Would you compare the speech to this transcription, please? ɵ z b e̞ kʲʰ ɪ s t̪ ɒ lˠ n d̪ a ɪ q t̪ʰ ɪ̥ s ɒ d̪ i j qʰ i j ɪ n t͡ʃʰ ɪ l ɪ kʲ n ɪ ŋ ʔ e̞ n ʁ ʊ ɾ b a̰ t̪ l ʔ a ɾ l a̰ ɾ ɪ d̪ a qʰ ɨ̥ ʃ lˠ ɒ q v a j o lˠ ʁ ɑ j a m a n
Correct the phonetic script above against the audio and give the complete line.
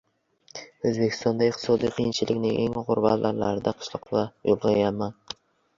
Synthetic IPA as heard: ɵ z b e̞ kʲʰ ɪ s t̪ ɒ n d̪ a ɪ q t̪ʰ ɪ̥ s ɒ d̪ i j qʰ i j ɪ n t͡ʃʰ ɪ l ɪ kʲ n ɪ ŋ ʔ e̞ ŋ ʁ ʊ ɾ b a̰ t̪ l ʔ a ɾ l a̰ ɾ ɪ d̪ a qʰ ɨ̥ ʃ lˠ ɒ q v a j o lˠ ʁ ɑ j a m a n